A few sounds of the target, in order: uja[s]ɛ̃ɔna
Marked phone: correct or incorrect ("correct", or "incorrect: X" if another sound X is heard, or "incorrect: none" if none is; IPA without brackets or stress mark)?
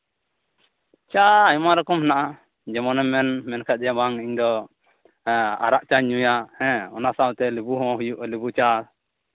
incorrect: h